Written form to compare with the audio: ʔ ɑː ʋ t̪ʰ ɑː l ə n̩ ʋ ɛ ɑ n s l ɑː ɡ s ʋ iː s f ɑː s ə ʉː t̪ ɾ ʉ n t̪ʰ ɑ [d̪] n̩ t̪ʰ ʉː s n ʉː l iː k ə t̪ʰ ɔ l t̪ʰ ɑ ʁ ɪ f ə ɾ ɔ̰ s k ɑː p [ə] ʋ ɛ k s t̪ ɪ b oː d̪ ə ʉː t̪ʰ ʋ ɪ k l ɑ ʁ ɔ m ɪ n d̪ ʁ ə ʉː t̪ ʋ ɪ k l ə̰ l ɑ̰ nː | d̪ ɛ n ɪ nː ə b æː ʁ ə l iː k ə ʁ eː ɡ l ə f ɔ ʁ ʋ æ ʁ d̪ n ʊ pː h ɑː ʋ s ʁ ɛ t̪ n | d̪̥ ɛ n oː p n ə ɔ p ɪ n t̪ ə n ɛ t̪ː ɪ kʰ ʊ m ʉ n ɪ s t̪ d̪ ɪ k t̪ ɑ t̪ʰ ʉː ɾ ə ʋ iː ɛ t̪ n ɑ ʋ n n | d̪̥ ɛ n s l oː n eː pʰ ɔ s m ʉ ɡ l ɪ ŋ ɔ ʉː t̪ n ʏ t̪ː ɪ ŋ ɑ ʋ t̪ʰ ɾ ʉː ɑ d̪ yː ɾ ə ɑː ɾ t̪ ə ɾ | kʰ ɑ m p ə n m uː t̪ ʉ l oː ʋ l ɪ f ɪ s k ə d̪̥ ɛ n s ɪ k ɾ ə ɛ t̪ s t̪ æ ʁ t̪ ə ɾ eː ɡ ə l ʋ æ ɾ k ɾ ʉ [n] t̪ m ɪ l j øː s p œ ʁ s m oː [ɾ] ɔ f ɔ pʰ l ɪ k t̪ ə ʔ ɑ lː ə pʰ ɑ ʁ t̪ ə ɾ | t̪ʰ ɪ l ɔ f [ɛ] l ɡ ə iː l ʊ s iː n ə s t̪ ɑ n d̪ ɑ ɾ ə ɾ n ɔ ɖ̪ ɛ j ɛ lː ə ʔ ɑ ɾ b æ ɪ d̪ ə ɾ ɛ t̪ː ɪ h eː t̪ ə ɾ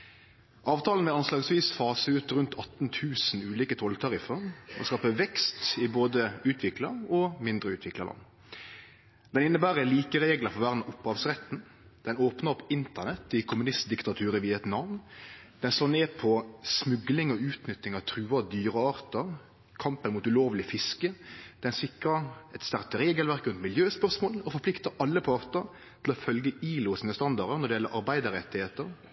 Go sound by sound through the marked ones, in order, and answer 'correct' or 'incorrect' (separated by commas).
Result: incorrect, correct, correct, incorrect, incorrect